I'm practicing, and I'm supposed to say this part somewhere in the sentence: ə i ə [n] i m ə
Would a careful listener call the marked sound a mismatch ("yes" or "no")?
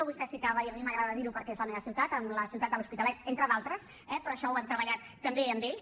yes